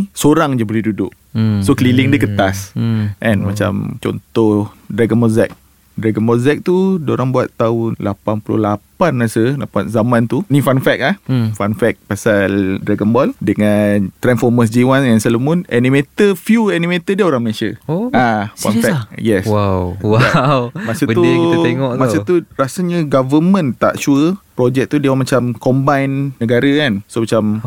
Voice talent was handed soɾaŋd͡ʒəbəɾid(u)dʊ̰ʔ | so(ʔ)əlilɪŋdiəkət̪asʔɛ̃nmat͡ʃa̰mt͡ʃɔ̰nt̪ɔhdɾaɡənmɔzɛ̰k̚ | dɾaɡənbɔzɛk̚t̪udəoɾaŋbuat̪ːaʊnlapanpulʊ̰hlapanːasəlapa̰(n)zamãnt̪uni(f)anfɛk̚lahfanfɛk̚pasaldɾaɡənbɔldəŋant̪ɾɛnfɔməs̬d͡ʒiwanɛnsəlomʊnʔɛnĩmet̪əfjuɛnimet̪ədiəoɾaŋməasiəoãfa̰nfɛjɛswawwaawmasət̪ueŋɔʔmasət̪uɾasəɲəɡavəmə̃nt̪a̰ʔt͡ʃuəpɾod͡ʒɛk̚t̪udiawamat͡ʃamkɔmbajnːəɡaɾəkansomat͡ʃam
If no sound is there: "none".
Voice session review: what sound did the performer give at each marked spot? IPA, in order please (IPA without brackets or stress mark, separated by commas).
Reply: u, k, n, f